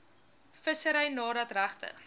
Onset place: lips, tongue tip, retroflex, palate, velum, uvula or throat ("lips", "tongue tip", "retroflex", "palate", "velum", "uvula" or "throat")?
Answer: lips